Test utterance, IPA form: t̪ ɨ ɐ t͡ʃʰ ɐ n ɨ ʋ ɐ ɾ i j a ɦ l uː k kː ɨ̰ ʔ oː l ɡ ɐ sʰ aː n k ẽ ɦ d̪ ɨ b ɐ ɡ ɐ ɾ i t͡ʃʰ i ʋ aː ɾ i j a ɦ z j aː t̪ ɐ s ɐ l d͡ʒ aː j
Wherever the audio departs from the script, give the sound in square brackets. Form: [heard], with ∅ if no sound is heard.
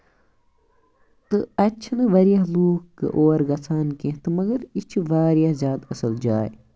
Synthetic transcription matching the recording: t̪ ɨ ɐ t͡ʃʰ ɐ n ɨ ʋ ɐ ɾ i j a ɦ l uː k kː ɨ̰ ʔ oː [ɾ] ɡ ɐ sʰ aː n k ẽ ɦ [t̪] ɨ [m] ɐ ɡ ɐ ɾ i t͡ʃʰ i ʋ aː ɾ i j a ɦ z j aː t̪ ɐ s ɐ l d͡ʒ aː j